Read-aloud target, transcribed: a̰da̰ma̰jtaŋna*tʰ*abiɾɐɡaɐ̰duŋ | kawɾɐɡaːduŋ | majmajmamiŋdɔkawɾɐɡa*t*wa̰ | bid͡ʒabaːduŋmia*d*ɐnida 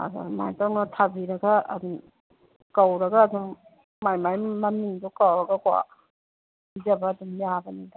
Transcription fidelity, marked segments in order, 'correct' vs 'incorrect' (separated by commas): correct, incorrect, incorrect